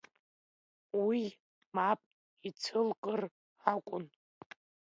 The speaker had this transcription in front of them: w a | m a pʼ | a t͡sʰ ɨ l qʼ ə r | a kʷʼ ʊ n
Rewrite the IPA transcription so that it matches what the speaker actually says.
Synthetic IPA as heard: w i | m a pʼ | i t͡sʰ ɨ l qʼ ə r | a kʷʼ ʊ n

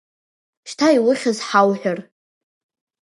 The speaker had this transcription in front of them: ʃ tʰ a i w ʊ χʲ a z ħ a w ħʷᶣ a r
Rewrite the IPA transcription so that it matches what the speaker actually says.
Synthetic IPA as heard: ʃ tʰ a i w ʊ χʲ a z ħ a w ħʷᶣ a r

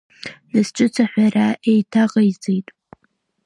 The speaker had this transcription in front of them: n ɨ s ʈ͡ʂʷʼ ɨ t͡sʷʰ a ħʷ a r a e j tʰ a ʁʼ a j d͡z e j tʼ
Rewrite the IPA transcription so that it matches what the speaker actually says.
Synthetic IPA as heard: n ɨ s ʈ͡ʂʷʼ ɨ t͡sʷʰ a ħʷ a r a e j tʰ a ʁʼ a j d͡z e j tʼ

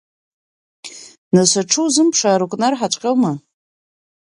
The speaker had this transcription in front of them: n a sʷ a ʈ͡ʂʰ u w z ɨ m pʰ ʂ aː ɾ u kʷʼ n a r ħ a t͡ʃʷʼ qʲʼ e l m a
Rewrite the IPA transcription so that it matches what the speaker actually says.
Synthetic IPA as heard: n a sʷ a ʈ͡ʂʰ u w z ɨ m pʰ ʂ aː ɾ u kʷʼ n a r ħ a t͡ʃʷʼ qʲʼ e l m a

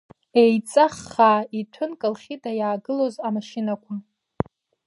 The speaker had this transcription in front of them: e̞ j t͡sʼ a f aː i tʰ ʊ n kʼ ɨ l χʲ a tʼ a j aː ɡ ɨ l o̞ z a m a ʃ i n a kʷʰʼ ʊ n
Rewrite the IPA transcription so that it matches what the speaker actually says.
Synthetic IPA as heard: e̞ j t͡sʼ a χ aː i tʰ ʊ n kʼ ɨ l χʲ i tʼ a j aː ɡ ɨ l o̞ z a m a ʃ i n a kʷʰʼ ʊ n

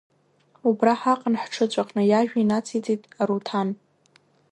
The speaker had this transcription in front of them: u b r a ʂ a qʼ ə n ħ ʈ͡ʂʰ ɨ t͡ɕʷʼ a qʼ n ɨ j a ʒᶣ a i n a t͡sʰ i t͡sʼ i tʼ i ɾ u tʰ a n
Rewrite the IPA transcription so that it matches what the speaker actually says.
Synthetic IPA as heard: u b r a ħ a qʼ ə n ħ ʈ͡ʂʰ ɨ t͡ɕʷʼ a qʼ n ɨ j a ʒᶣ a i n a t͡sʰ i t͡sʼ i tʼ a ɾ u tʰ a n

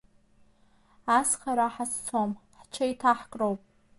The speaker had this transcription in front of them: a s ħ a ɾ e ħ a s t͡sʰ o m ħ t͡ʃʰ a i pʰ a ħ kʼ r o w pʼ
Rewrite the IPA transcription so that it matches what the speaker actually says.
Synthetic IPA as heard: a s χ a ɾ a ħ a s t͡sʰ o m ħ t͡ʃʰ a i tʰ a ħ kʼ r o w pʼ

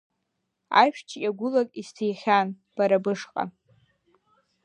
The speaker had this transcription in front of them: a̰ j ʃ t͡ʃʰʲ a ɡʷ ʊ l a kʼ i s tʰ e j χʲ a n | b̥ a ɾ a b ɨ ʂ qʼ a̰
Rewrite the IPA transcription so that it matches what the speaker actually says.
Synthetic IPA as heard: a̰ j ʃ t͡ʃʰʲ a ɡʷ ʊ l a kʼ i s tʰ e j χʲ a n | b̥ a ɾ a b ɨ ʂ qʼ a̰

